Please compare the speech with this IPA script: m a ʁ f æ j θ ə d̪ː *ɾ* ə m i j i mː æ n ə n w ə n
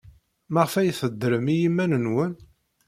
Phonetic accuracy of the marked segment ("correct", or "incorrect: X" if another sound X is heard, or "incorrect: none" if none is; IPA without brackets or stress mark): correct